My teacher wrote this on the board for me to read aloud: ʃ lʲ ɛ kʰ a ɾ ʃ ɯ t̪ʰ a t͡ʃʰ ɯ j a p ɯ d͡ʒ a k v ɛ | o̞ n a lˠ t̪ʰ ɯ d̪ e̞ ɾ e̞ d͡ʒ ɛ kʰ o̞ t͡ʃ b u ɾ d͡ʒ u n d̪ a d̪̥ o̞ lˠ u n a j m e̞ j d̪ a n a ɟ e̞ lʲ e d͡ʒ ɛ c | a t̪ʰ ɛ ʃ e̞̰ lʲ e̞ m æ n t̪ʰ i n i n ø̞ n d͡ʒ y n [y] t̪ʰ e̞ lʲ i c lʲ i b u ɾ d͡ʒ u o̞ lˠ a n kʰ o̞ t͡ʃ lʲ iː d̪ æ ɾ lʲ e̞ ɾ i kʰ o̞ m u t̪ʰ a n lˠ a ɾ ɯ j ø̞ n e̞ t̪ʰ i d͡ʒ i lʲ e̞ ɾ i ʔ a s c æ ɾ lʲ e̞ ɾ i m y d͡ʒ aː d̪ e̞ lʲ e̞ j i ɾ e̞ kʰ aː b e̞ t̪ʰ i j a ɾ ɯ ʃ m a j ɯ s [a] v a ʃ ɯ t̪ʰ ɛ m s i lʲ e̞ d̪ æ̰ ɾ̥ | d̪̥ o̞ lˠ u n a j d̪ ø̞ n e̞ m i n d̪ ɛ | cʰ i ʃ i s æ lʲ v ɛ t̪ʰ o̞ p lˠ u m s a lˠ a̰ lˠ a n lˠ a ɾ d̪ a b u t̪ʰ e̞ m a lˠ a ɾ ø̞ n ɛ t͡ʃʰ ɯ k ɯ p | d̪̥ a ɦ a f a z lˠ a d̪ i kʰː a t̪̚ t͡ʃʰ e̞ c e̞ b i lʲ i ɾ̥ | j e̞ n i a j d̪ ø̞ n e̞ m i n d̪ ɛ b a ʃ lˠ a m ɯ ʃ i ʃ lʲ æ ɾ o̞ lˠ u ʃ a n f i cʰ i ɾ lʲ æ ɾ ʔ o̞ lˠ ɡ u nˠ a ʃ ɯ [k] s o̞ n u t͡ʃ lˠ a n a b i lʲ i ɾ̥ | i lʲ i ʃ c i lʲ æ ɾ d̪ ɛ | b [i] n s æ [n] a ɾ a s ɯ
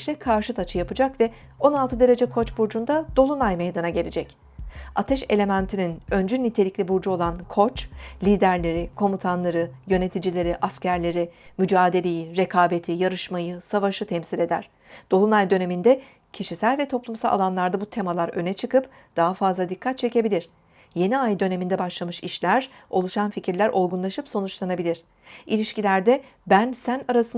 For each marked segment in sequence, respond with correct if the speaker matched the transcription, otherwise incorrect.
incorrect: i, correct, incorrect: p, incorrect: æ, correct

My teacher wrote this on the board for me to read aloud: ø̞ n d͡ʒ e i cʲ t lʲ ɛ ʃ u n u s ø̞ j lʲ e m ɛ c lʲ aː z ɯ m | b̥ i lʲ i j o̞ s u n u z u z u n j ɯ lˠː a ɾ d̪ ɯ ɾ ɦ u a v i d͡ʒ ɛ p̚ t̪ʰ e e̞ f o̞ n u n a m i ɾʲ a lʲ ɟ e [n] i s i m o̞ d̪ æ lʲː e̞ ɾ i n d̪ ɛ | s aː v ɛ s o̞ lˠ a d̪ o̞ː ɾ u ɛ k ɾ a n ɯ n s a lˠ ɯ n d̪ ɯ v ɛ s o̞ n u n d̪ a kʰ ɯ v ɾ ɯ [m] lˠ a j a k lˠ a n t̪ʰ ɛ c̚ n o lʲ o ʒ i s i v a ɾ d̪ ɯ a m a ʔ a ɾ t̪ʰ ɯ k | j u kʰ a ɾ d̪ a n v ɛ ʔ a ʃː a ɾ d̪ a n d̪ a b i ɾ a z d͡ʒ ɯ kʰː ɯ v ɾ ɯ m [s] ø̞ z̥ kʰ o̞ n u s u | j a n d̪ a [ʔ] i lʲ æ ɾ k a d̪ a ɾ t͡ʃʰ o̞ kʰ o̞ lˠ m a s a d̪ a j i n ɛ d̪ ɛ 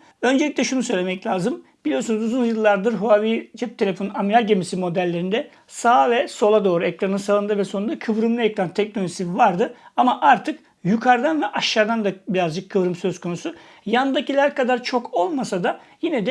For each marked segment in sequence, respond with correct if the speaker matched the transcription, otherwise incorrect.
incorrect: m, correct, correct, incorrect: c

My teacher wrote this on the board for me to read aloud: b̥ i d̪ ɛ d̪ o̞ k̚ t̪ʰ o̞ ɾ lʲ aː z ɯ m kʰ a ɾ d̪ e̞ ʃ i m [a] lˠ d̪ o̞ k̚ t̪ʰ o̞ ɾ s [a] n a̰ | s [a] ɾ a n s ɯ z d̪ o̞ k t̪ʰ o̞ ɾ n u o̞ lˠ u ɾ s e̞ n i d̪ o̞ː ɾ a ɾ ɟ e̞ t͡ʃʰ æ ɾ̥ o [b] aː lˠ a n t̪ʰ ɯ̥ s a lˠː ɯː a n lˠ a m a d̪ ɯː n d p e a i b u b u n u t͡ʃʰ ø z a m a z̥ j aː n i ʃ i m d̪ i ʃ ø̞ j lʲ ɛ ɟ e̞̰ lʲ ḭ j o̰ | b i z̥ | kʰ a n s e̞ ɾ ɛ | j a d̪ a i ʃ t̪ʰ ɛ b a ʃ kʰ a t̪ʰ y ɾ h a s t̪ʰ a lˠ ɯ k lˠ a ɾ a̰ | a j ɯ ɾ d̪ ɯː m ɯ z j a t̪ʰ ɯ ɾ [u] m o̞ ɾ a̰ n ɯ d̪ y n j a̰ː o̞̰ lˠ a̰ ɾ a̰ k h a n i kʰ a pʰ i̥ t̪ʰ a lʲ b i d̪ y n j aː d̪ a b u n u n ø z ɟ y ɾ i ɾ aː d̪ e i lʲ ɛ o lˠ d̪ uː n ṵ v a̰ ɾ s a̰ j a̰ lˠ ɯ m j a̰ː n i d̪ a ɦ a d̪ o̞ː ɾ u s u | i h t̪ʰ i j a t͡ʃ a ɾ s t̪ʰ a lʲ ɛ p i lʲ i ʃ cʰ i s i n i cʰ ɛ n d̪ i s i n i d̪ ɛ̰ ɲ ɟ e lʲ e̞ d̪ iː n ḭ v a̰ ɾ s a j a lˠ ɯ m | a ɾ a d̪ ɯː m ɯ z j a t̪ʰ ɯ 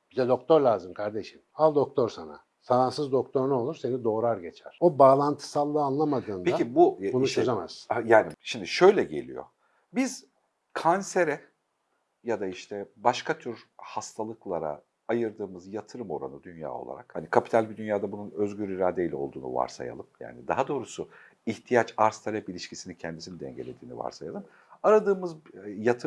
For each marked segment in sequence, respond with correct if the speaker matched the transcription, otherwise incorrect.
correct, correct, correct, correct, incorrect: ɯ

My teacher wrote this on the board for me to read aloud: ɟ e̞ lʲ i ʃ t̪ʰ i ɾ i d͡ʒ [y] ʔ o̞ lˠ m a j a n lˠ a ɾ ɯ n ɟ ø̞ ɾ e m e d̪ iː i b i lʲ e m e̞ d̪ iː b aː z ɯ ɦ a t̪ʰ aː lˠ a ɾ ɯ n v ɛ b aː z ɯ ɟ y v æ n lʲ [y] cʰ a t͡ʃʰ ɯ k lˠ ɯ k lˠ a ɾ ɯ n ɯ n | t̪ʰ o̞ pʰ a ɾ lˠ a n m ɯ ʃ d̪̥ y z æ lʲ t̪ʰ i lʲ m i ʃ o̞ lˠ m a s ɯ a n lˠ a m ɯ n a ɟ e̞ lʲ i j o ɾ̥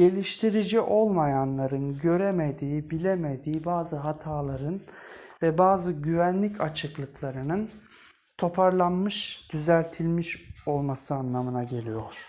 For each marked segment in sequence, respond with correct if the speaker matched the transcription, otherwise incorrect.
incorrect: i, incorrect: i

